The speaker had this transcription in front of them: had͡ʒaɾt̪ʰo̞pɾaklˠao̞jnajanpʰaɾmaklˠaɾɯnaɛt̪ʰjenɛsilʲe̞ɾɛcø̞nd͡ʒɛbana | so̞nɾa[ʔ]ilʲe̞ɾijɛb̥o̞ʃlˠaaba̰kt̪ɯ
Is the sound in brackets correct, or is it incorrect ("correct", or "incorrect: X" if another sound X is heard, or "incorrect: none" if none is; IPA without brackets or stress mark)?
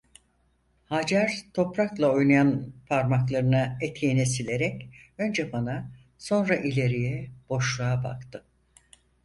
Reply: correct